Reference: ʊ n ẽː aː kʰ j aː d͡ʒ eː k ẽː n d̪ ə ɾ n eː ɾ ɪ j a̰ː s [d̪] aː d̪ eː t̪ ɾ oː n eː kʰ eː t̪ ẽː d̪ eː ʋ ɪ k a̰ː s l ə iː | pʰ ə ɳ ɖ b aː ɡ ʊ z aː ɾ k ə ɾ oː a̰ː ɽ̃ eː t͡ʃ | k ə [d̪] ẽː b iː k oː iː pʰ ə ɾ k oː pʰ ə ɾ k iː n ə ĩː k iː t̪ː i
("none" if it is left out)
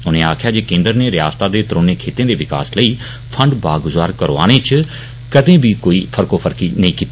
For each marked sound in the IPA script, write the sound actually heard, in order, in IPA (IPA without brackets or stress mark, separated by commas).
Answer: t̪, d̪